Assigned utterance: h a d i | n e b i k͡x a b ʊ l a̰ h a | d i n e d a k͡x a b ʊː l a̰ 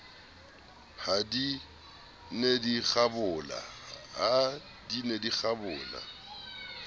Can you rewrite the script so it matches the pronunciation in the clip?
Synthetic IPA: h a d i | n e d i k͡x a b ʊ l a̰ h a | d i n e d i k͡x a b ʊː l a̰